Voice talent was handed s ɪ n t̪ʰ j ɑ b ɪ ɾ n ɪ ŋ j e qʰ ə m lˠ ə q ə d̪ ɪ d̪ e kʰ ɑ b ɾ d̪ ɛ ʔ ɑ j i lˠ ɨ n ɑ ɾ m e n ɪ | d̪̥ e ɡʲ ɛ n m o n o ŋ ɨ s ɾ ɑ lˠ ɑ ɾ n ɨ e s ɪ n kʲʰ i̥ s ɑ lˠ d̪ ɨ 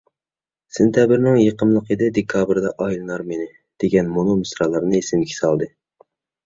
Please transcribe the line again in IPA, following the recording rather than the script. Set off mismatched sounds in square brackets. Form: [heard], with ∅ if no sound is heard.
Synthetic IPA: s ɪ n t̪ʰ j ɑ b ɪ ɾ n ɪ ŋ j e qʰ ə m lˠ ə q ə d̪ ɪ d̪ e kʰ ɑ b ɾ d̪ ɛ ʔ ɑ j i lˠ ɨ n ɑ ɾ m e n ɪ | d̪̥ e ɡʲ ɛ n m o n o [m] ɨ s ɾ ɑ lˠ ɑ ɾ n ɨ e s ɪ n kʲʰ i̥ s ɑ lˠ d̪ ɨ